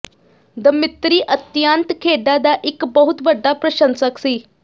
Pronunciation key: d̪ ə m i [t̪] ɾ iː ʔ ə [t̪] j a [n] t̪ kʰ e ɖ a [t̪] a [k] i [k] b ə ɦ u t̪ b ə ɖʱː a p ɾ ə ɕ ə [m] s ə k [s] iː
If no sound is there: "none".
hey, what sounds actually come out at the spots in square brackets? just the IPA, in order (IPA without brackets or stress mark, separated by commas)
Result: t̪, t̪, n, d̪, ʔ, k, n, s